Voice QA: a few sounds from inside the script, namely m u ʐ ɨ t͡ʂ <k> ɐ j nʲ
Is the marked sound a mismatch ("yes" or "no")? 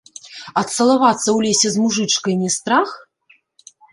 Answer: no